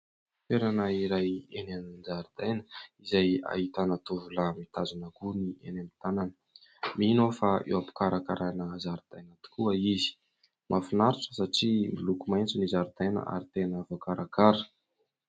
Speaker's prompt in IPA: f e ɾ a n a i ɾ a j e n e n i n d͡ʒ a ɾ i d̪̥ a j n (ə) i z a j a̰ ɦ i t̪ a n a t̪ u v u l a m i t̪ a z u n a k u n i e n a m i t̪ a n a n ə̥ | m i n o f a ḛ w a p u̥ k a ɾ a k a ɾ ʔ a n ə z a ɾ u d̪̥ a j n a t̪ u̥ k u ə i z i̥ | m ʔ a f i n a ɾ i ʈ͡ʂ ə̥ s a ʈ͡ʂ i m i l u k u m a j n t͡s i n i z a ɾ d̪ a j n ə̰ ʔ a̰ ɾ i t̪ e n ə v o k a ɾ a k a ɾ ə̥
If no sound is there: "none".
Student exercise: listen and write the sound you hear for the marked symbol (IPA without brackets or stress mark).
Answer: ə